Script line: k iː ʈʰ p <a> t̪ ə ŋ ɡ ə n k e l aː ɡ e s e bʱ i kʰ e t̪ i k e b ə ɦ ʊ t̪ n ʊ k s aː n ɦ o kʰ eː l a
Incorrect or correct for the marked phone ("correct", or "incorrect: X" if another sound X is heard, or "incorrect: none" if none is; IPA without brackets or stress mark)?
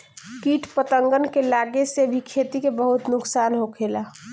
incorrect: ə